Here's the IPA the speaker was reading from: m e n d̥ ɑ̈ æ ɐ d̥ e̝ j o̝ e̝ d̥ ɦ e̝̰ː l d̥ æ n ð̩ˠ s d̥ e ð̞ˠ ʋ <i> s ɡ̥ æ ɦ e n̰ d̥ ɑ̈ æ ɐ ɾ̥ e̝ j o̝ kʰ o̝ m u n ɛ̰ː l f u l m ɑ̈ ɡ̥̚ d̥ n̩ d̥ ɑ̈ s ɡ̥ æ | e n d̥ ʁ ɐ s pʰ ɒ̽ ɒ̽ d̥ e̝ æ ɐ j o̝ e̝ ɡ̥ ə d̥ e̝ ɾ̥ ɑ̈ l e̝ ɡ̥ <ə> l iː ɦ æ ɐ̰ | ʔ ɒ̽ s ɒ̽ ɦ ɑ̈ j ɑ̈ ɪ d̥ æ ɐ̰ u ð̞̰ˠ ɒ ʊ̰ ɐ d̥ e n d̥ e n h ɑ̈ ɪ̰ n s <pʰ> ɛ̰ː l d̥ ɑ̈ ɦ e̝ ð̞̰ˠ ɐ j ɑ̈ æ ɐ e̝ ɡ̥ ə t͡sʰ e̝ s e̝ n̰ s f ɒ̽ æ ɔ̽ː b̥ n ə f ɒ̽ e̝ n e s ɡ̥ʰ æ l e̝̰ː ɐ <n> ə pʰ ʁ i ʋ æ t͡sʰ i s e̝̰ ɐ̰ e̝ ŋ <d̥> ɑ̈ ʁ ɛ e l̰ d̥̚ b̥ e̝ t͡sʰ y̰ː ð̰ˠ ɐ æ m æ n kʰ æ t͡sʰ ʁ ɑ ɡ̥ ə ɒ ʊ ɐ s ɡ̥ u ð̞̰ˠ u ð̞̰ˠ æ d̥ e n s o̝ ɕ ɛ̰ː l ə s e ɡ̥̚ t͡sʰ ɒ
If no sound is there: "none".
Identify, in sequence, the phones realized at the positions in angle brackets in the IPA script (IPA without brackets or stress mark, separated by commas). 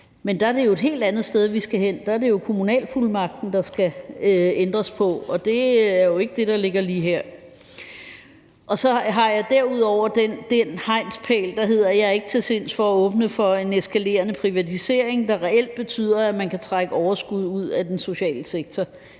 i, ɐ, pʰ, n, d̥